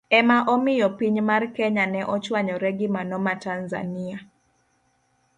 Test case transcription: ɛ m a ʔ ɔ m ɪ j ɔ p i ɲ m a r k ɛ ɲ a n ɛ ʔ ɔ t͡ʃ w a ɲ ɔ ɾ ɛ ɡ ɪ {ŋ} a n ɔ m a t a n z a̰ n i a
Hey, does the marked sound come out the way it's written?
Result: no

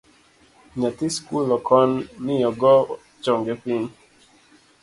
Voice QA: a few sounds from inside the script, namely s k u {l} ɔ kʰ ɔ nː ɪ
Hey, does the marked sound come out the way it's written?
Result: yes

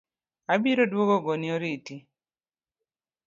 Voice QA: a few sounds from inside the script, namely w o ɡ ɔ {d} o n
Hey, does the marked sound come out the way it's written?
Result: no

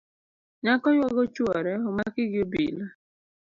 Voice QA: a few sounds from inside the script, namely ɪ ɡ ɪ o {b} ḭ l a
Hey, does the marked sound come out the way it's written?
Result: yes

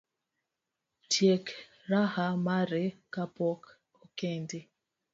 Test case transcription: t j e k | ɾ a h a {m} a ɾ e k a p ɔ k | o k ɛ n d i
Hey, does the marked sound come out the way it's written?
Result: yes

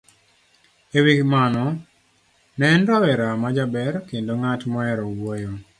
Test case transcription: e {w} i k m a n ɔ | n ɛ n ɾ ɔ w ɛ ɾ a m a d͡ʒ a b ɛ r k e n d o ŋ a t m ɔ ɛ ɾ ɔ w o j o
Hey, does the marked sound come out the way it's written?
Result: yes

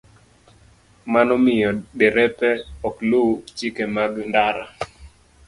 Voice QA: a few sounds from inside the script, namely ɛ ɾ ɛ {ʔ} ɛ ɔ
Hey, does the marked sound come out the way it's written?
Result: no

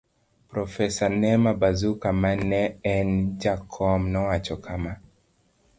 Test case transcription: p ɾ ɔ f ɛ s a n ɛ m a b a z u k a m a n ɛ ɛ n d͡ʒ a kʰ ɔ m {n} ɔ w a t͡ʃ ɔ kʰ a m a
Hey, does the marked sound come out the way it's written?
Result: yes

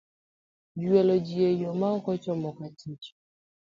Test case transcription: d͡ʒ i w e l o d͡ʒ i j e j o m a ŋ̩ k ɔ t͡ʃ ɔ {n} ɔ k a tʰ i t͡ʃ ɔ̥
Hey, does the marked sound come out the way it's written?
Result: no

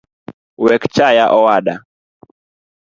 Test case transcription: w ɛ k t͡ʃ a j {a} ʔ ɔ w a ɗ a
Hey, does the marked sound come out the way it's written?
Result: yes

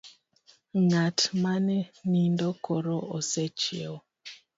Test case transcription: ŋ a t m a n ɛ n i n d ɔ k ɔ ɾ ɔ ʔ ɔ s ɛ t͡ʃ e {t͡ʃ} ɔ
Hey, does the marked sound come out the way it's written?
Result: no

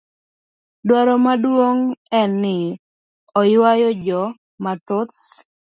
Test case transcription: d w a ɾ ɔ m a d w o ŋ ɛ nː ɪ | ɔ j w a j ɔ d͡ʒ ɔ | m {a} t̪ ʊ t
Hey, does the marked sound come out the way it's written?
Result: yes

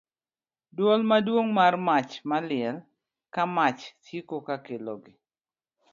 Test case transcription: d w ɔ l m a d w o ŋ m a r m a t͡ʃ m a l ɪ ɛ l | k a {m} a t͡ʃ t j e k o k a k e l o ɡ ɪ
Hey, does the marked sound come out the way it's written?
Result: yes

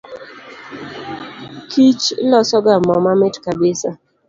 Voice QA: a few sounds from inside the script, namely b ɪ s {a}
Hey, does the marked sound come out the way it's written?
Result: yes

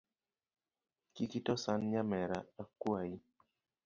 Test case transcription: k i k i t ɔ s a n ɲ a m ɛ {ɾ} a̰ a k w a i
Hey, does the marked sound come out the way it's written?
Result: yes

